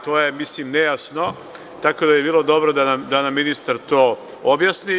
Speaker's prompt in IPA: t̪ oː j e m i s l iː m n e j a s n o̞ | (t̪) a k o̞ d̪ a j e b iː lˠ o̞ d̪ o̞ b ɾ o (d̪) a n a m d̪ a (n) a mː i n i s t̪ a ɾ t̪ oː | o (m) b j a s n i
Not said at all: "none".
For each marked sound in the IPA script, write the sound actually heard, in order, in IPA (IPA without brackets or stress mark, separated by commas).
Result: t̪, d̪, n, none